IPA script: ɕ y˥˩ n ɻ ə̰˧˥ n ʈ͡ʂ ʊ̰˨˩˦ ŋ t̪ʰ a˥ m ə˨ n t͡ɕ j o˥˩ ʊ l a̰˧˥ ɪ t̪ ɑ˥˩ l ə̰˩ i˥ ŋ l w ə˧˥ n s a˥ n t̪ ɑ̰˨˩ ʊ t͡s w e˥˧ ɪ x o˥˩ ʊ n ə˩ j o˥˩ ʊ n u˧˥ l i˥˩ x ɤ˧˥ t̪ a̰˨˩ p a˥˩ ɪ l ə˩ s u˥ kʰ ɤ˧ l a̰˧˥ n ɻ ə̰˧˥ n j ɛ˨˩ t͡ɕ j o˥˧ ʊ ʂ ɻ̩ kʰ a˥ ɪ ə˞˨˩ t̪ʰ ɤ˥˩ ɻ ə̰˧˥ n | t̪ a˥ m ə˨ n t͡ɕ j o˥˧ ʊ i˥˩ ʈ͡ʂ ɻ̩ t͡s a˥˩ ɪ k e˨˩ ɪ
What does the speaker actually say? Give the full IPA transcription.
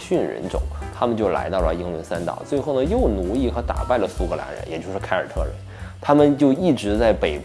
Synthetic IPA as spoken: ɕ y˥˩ n ɻ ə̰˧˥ n ʈ͡ʂ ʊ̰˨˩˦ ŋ t̪ʰ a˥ m ə˨ n t͡ɕ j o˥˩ ʊ l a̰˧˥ ɪ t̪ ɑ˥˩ l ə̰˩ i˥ ŋ l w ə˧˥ n s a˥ n t̪ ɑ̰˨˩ ʊ t͡s w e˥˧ ɪ x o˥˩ ʊ n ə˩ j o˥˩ ʊ n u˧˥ l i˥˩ x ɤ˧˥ t̪ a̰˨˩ p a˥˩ ɪ l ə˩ s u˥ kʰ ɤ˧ l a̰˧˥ n ɻ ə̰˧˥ n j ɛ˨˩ t͡ɕ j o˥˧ ʊ ʂ ɻ̩ kʰ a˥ ɪ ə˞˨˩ t̪ʰ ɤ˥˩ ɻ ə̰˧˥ n | t̪ʰ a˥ m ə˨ n t͡ɕ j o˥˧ ʊ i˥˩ ʈ͡ʂ ɻ̩ t͡s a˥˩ ɪ p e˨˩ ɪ

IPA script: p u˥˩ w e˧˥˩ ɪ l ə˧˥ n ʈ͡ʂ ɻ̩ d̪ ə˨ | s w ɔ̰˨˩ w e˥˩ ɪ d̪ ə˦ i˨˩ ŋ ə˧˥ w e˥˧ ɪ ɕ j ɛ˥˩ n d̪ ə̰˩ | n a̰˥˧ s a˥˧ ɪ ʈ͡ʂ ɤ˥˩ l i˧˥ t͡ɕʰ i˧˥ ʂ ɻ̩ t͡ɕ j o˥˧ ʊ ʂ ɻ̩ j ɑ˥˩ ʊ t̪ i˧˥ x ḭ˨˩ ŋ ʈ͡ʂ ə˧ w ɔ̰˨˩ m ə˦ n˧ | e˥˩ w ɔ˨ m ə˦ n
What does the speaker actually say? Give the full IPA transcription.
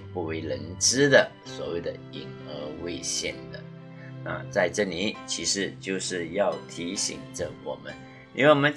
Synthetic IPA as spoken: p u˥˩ w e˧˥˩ ɪ l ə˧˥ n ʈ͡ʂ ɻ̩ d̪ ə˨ | s w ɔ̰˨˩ w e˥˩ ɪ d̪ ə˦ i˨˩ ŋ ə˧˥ w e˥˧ ɪ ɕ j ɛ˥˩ n d̪ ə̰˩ | n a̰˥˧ t͡s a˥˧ ɪ ʈ͡ʂ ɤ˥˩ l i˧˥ t͡ɕʰ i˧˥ ʂ ɻ̩ t͡ɕ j o˥˧ ʊ ʂ ɻ̩ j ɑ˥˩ ʊ t̪ʰ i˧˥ ɕ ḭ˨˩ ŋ ʈ͡ʂ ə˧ w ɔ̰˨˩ m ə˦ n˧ | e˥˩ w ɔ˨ m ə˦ n

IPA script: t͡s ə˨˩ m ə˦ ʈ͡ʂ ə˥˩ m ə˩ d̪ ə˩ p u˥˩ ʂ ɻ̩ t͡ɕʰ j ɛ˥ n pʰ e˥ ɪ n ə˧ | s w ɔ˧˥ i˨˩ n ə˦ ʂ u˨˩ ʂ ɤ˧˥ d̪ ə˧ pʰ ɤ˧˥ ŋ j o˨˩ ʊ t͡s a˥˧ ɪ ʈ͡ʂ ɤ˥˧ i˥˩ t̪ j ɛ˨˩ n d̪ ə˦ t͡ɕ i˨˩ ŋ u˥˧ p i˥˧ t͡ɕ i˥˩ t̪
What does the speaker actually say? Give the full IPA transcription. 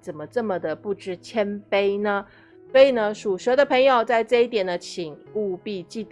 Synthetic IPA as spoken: t͡s ə˨˩ m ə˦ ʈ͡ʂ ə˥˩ m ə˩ d̪ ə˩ p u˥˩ ʈ͡ʂ ɻ̩ t͡ɕʰ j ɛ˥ n p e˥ ɪ n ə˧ | s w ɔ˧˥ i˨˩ n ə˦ ʂ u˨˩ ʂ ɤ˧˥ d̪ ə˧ pʰ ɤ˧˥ ŋ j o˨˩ ʊ t͡s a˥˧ ɪ ʈ͡ʂ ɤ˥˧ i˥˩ t̪ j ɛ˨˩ n d̪ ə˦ t͡ɕʰ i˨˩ ŋ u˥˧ p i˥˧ t͡ɕ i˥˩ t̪

